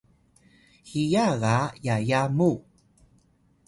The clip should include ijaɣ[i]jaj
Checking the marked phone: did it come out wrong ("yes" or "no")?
yes